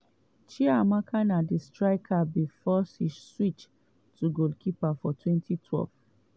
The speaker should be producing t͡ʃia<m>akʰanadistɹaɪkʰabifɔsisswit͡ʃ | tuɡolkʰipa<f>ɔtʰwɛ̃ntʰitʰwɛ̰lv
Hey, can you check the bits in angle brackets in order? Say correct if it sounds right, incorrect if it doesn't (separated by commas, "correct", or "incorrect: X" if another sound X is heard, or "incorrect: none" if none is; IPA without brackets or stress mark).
correct, correct